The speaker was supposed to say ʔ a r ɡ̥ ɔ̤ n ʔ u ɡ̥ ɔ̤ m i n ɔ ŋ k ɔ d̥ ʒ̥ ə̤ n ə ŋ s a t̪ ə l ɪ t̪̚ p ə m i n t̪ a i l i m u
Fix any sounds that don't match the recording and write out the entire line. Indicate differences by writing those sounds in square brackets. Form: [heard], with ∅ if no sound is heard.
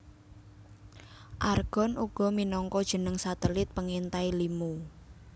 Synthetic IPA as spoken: ʔ a r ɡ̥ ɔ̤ n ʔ u ɡ̥ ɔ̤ m i n ɔ ŋ k ɔ d̥ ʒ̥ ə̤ n ə ŋ s a t̪ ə l ɪ t̪̚ p ə [ŋ] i n t̪ a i l i m u